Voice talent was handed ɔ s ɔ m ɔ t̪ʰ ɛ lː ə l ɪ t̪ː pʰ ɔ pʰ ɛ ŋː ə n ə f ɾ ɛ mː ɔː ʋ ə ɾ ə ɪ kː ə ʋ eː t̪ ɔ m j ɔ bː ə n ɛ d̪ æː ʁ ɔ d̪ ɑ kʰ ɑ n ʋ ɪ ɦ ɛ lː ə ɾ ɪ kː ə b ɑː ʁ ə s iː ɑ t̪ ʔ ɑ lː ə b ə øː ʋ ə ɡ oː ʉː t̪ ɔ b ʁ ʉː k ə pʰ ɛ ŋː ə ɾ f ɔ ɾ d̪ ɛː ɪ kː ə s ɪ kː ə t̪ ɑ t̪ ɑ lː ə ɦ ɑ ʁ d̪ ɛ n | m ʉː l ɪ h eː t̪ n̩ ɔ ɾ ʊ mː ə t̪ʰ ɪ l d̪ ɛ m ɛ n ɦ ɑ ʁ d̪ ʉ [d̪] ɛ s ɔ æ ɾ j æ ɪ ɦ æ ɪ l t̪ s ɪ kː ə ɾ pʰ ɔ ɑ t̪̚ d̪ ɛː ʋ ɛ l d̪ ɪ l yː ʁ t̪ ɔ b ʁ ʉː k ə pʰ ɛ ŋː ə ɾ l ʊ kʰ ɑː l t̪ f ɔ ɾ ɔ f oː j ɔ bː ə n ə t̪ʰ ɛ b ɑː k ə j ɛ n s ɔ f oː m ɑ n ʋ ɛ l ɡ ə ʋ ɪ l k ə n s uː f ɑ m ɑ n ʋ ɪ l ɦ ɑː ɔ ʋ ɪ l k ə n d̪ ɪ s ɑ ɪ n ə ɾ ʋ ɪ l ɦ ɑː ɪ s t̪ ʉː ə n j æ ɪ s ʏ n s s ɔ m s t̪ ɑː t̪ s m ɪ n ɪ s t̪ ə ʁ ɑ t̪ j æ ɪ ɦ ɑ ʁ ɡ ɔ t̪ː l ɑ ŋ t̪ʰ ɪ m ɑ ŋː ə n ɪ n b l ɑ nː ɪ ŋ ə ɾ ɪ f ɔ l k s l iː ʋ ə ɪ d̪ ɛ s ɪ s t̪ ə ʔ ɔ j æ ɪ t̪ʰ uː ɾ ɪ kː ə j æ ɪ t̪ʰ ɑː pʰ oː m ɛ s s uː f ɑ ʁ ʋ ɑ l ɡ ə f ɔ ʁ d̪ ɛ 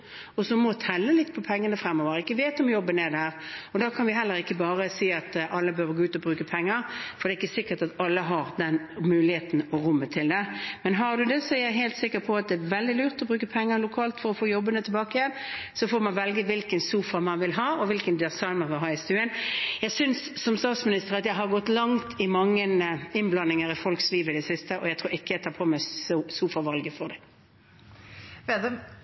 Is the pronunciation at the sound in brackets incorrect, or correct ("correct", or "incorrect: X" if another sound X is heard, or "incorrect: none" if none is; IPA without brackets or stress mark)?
correct